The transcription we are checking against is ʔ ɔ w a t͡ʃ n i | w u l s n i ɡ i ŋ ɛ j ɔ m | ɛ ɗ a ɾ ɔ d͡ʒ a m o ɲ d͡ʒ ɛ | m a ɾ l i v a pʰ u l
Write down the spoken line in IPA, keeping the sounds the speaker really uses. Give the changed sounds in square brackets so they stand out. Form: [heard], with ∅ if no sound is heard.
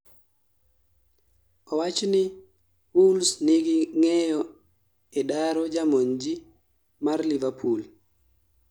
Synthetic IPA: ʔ ɔ w a t͡ʃ n i | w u l s n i ɡ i ŋ ɛ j ɔ [∅] | ɛ ɗ a ɾ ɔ d͡ʒ a m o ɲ d͡ʒ [i] | m a ɾ l i v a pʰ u l

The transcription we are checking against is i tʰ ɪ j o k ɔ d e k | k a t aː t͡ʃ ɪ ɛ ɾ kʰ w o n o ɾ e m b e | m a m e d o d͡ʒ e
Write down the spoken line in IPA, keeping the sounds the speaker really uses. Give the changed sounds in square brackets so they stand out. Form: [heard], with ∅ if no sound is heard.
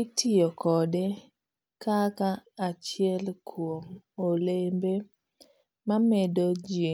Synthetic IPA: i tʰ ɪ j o k ɔ d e [∅] | k a [k] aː t͡ʃ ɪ ɛ [l] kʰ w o [m] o [l] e m b e | m a m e d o d͡ʒ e

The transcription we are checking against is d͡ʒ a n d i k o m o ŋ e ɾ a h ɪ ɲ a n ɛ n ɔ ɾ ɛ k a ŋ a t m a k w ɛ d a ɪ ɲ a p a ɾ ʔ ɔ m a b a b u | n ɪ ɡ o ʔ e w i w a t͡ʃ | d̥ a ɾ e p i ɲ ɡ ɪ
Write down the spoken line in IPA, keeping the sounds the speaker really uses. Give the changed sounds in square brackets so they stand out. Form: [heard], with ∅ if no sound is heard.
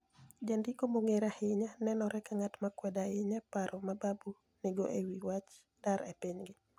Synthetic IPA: d͡ʒ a n d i k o m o ŋ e ɾ a h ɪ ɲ a n ɛ n ɔ ɾ ɛ k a ŋ a t m a k w ɛ d a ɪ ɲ a p a ɾ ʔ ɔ m a b a b u | n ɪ ɡ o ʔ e w i w a t͡ʃ | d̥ a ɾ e p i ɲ ɡ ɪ

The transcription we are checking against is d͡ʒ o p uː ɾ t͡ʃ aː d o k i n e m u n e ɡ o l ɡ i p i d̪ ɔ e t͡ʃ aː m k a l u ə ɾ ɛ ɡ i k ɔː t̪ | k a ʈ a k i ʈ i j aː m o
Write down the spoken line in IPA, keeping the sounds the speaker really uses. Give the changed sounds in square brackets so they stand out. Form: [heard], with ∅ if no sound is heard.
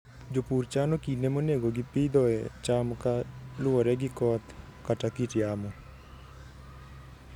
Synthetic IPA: d͡ʒ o p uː ɾ t͡ʃ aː [n] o k i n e m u n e ɡ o [∅] ɡ i p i d̪ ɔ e t͡ʃ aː m k a l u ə ɾ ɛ ɡ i k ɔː t̪ | k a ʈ a k i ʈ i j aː m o

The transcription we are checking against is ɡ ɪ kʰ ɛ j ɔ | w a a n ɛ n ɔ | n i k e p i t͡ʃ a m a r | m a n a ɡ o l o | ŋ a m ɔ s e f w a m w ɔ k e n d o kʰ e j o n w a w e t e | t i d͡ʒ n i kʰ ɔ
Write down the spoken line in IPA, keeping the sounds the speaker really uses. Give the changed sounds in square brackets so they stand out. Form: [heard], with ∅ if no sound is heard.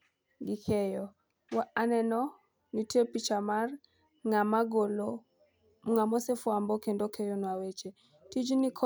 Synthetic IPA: ɡ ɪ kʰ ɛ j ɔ | w a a n ɛ n ɔ | n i [t] e p i t͡ʃ a m a r | [ŋ] a [m] a ɡ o l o | ŋ a m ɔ s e f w a m [b] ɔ k e n d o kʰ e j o n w a w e [t͡ʃ] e | t i d͡ʒ n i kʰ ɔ

